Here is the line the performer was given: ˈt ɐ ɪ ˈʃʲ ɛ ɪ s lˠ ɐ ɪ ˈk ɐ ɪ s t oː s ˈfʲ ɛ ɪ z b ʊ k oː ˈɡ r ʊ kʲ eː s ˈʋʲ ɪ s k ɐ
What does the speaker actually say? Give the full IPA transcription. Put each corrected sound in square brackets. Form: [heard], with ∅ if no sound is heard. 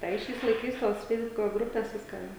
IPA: ˈt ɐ ɪ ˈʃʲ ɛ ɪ s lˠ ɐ ɪ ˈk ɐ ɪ s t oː s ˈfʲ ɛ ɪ z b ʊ k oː ˈɡ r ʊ [pʲ] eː s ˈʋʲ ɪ s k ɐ